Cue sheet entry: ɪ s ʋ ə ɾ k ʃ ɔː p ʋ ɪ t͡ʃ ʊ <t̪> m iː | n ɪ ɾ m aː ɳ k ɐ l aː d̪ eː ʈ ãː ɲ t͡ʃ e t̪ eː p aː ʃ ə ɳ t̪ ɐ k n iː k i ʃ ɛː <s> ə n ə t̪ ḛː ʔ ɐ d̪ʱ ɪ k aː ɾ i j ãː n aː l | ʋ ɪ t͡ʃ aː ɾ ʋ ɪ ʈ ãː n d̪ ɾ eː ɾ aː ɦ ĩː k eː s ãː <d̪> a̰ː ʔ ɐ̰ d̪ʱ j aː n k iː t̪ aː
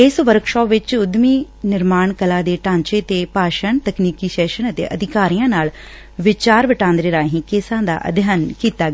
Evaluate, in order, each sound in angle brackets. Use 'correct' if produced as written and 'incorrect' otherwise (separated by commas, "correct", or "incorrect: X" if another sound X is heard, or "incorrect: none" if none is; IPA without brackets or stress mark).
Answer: incorrect: d̪, incorrect: ʃ, correct